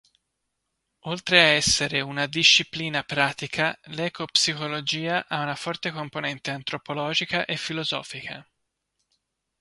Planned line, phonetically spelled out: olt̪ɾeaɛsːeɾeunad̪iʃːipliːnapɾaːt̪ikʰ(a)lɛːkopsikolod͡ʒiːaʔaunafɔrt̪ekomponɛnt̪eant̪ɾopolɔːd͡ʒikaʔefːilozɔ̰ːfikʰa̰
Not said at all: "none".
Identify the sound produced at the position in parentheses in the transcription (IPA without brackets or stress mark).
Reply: a